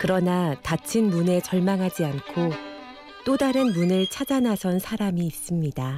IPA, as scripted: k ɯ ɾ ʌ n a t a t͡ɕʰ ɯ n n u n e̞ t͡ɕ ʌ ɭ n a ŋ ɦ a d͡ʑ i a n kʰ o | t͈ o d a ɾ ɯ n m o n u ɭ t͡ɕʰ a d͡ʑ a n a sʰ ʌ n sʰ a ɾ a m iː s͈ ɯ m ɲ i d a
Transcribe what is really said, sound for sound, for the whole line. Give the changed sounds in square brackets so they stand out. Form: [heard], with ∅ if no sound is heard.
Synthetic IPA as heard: k ɯ ɾ ʌ n a t a t͡ɕʰ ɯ n [m] u n e̞ t͡ɕ ʌ ɭ [m] a ŋ ɦ a d͡ʑ i a n kʰ o | t͈ o d a ɾ ɯ n m [u] n [ɯ] ɭ t͡ɕʰ a d͡ʑ a n a sʰ ʌ n sʰ a ɾ a m iː s͈ ɯ m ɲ i d a